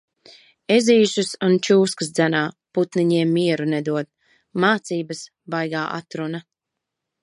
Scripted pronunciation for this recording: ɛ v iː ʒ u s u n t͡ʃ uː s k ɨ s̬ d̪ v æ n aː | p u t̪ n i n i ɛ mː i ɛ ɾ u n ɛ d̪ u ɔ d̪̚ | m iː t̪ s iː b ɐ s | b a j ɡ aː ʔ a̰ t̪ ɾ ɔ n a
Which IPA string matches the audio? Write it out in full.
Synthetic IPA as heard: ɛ z iː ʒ u s u n t͡ʃ uː s k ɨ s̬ d̪ z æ n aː | p u t̪ n i ɲ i ɛ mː i ɛ ɾ u n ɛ d̪ u ɔ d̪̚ | m aː t̪ s iː b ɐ s | b a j ɡ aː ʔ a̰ t̪ ɾ u n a